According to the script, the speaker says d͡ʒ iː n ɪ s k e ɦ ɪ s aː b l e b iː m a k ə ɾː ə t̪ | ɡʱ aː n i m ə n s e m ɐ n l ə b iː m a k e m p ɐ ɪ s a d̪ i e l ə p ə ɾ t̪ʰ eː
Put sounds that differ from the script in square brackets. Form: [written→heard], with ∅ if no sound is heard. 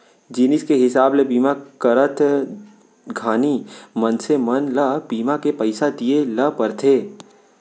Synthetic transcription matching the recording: d͡ʒ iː n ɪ s k e ɦ ɪ s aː b l e b iː m a k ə [ɾː→ɾ] ə t̪ | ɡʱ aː n i m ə n s e m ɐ n l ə b iː m a k e [m→∅] p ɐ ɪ s a d̪ i e l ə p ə ɾ t̪ʰ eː

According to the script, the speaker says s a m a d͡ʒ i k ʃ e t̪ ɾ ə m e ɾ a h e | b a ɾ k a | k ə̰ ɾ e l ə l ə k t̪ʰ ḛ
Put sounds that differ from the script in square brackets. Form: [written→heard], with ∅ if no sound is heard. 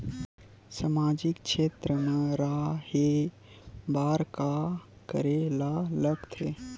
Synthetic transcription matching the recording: s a m a d͡ʒ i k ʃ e t̪ ɾ ə m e ɾ a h e | b a ɾ k a | k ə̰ ɾ e l [ə→a] l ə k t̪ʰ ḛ

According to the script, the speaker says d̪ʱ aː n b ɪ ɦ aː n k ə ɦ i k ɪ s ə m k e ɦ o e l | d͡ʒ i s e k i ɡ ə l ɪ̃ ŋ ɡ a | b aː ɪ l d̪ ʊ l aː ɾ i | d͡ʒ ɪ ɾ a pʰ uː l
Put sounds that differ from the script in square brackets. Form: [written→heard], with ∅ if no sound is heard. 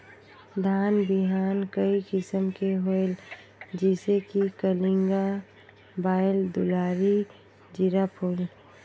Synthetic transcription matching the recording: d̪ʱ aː n b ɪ ɦ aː n k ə [ɦ→∅] i k ɪ s ə m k e ɦ o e l | d͡ʒ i s e k i [ɡ→k] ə l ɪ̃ ŋ ɡ a | b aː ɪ l d̪ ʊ l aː ɾ i | d͡ʒ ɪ ɾ a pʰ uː l

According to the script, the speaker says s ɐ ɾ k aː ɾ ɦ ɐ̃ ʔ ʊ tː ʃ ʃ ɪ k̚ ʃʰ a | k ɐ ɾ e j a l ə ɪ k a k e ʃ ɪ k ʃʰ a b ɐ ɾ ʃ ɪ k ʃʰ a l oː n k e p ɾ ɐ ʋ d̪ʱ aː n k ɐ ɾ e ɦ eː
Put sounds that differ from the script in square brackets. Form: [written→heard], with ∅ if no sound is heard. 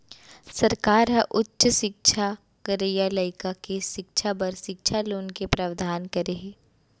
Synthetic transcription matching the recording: s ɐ ɾ k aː ɾ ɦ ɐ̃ ʔ ʊ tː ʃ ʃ ɪ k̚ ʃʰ a | k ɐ ɾ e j a l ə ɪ k a k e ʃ ɪ k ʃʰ a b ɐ ɾ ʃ ɪ k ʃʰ a l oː n k e p ɾ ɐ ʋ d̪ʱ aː n k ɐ ɾ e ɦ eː

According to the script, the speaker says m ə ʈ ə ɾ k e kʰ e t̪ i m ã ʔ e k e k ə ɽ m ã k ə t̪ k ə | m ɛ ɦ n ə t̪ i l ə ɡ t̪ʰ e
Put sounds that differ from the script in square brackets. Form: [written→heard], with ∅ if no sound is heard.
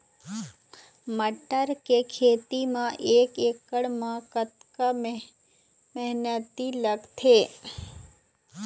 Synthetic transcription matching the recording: m ə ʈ ə ɾ k e kʰ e t̪ i m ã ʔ e k e k ə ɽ m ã k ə t̪ k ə | m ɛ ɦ n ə t̪ i l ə ɡ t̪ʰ e

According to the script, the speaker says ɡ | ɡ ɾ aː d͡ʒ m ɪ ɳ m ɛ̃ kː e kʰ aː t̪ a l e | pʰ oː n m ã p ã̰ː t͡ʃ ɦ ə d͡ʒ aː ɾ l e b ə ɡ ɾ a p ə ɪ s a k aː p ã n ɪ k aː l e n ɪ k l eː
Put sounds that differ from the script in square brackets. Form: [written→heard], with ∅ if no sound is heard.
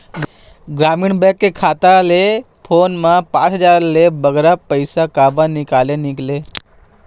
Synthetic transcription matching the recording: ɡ | ɡ ɾ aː [d͡ʒ→∅] m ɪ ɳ [m→b] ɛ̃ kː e kʰ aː t̪ a l e | pʰ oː n m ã p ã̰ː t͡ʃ ɦ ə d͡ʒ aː ɾ l e b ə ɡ ɾ a p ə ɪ s a k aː [p→b] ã n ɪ k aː l e n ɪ k l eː

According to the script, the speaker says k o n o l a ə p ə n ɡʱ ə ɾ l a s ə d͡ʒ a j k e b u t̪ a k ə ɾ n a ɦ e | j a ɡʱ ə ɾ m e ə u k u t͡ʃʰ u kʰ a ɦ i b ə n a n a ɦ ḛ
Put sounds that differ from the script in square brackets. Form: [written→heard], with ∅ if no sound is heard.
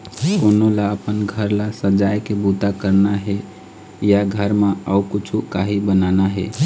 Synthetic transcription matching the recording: k o n o l a ə p ə n ɡʱ ə ɾ l a s ə d͡ʒ a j k e b u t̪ a k ə ɾ n a ɦ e | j a ɡʱ ə ɾ m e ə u k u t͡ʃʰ u [kʰ→k] a ɦ i b ə n a n a ɦ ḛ

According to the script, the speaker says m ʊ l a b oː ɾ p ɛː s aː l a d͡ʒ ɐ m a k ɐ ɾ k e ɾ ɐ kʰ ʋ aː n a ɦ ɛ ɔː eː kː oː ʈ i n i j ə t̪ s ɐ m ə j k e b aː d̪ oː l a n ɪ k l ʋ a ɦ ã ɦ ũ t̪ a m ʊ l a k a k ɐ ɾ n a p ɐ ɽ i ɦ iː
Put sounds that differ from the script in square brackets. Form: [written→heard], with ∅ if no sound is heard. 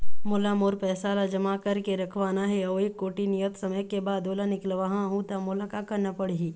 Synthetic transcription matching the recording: m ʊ l a [b→m] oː ɾ p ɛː s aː l a d͡ʒ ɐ m a k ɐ ɾ k e ɾ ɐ kʰ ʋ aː n a ɦ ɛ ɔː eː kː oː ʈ i n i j ə t̪ s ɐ m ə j k e b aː d̪ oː l a n ɪ k l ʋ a ɦ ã ɦ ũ t̪ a m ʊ l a k a k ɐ ɾ n a p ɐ ɽ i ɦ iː

